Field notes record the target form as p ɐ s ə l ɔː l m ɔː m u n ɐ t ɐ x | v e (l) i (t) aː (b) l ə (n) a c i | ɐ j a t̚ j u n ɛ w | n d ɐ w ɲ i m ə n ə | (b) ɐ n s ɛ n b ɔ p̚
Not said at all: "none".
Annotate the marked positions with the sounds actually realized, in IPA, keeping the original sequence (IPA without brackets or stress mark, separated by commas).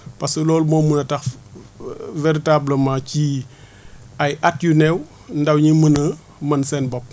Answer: ɾ, t, b, m, m